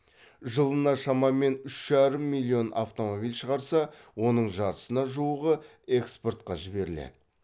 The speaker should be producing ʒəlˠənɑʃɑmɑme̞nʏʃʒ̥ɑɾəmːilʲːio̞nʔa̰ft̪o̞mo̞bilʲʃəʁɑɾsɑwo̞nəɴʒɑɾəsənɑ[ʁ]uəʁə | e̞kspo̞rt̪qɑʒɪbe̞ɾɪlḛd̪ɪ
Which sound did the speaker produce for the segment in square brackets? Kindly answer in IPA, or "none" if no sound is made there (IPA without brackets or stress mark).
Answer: ʒ